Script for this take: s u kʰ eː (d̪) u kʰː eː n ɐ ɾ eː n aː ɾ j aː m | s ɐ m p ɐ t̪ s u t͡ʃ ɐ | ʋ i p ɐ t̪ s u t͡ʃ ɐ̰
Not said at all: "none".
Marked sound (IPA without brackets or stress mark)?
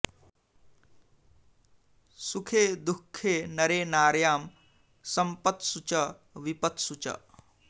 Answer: d̪